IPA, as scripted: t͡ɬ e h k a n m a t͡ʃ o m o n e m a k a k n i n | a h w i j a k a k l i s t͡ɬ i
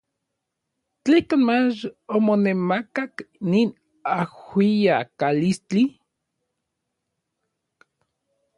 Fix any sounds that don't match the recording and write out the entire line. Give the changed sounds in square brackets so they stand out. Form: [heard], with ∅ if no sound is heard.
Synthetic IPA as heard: t͡ɬ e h k a n m a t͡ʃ o m o n e m a k a k n i n | a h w i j a k a [∅] l i s t͡ɬ i